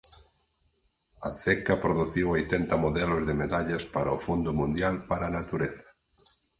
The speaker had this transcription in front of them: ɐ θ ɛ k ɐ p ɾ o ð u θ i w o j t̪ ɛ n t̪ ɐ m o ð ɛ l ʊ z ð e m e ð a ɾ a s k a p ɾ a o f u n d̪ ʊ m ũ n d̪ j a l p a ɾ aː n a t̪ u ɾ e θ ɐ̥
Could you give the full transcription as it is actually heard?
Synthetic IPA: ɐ θ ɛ k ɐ p ɾ o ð u θ i w o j t̪ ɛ n t̪ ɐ m o ð ɛ l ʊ z ð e m e ð a ʎ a s p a ɾ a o f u n d̪ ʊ m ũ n d̪ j a l p a ɾ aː n a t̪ u ɾ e θ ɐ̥